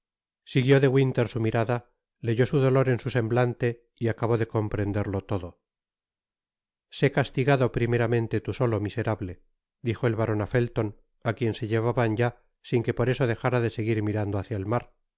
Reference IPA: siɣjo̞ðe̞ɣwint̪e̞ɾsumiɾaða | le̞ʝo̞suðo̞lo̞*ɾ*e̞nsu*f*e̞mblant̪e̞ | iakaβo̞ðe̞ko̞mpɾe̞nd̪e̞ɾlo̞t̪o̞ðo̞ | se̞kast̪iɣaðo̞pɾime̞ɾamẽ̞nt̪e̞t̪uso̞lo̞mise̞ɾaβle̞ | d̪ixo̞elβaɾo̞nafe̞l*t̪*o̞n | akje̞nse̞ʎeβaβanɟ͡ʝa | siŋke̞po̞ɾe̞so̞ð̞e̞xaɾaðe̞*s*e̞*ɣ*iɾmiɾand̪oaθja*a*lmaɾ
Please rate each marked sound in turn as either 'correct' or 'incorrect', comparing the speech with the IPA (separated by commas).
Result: correct, incorrect, correct, correct, correct, incorrect